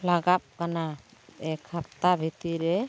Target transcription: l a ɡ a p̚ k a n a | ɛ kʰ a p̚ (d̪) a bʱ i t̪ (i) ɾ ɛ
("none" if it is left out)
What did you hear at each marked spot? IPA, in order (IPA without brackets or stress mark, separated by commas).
t̪, i